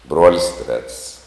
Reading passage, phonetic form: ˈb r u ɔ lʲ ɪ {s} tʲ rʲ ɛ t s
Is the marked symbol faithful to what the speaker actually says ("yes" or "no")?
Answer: yes